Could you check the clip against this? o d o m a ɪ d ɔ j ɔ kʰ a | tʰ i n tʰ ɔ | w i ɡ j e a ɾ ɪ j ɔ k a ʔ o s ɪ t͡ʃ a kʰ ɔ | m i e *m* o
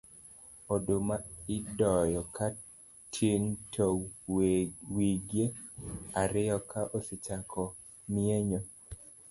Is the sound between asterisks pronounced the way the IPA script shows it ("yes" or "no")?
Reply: no